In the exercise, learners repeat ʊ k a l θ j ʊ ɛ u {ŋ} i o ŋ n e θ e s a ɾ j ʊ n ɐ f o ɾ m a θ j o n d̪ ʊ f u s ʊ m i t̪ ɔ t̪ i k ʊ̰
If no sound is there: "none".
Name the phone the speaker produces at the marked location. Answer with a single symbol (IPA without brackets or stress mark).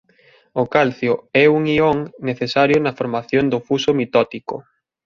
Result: ŋ